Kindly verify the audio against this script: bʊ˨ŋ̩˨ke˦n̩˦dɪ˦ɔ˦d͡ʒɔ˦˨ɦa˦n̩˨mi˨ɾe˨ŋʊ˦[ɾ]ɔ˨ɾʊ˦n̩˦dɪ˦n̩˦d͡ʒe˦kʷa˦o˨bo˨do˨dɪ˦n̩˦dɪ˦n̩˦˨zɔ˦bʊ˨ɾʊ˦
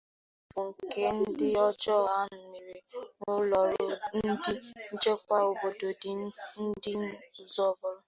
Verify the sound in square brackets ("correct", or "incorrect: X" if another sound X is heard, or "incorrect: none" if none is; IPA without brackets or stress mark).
incorrect: l